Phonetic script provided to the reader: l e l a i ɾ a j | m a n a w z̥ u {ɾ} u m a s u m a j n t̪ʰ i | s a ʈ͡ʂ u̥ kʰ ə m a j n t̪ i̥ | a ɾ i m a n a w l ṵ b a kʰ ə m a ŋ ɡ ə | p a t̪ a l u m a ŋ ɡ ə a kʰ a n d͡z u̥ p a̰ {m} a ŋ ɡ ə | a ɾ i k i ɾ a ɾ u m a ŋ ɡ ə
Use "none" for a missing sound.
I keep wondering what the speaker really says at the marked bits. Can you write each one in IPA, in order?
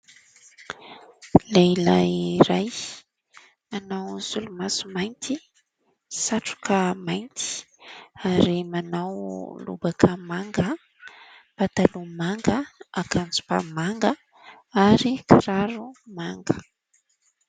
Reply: l, m

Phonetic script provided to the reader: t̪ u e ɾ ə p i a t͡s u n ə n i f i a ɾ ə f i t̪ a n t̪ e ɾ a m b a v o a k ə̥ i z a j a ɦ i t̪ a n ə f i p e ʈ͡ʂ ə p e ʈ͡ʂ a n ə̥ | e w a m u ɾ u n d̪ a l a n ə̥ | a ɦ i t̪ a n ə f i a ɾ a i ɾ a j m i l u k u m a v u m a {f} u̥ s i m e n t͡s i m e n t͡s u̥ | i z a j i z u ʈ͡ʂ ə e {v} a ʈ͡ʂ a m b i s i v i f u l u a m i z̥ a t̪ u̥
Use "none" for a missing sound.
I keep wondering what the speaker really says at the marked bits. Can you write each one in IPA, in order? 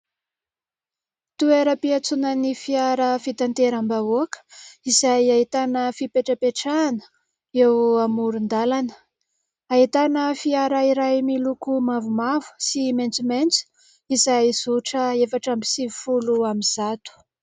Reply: v, f

